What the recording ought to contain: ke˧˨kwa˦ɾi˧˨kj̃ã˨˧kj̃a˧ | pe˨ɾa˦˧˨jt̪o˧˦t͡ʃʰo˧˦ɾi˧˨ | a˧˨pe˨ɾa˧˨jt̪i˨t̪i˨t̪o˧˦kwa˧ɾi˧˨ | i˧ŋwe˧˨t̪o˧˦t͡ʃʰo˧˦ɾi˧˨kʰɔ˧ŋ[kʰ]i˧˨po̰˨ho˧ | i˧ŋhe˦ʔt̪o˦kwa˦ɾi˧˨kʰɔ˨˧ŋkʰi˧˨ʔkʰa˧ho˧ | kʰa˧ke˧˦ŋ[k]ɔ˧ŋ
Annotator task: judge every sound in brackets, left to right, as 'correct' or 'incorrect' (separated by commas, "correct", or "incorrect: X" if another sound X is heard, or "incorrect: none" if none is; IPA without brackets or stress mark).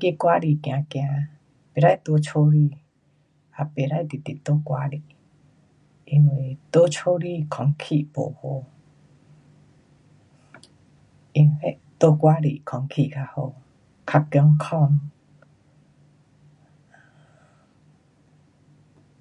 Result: correct, incorrect: kʰ